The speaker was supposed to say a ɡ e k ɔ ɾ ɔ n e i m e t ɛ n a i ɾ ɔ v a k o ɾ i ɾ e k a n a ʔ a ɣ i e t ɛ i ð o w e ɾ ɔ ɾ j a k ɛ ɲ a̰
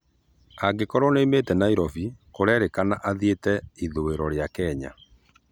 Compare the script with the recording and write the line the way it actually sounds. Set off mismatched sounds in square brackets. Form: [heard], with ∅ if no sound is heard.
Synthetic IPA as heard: a ɡ e k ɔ ɾ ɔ n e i m e t ɛ n a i ɾ ɔ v [i] k o ɾ [ɛ] ɾ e k a n a ʔ a [ð] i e t ɛ i ð o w e ɾ ɔ ɾ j a k ɛ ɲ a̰